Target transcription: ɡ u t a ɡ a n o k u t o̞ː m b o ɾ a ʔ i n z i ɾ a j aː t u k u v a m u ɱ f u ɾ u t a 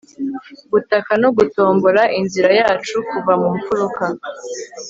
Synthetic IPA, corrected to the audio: ɡ u t a k a n o ɡ u t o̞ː m b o ɾ a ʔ i n z i ɾ a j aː t͡ʃ u k u v a m u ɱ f u ɾ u k a